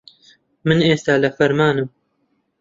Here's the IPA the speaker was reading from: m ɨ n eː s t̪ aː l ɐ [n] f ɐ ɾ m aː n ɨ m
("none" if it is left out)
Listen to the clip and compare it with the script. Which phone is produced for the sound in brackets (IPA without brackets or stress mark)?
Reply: none